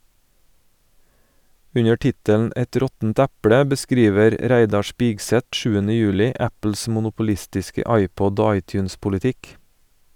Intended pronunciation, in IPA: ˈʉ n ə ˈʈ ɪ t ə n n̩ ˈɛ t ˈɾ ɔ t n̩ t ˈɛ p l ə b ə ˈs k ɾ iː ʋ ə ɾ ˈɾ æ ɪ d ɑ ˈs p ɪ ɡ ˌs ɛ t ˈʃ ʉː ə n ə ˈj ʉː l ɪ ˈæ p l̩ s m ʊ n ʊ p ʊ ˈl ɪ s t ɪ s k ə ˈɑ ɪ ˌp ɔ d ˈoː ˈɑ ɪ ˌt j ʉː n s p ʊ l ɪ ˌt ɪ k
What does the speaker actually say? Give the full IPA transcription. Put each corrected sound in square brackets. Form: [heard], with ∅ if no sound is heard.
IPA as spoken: ˈʉ [ɲ] ə ˈʈ ɪ t ə n n̩ ˈɛ t ˈɾ ɔ t n̩ t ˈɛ p [ɽ] ə b ə ˈs k ɾ iː ʋ ə ɾ ˈɾ æ ɪ d ɑ ˈs p ɪ ɡ ˌs ɛ t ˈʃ ʉː ə n ə ˈj ʉː l ɪ ˈæ p l̩ s m ʊ n ʊ p ʊ ˈl ɪ s t ɪ s k ə ˈɑ ɪ ˌp ɔ d ˈoː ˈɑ ɪ ˌt j ʉː n s p ʊ l ɪ ˌt ɪ k